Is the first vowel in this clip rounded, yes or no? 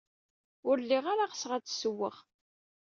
yes